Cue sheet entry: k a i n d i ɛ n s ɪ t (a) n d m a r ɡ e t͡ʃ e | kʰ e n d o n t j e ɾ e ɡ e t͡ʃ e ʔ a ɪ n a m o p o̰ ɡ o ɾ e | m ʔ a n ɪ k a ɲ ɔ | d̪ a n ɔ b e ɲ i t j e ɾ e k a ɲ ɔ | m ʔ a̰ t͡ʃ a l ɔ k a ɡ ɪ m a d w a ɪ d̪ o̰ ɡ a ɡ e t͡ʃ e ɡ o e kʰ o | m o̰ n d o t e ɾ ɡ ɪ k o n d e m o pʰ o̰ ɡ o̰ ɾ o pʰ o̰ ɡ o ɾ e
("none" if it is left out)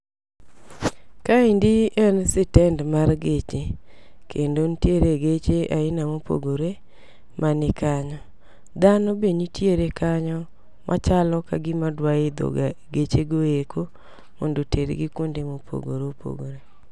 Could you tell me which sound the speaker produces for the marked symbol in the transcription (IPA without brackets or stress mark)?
ɛ